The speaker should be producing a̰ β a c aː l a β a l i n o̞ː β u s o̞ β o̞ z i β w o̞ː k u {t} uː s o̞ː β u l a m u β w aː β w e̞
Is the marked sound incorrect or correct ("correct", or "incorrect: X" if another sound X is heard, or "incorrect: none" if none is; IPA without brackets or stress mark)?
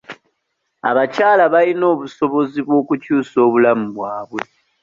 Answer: incorrect: c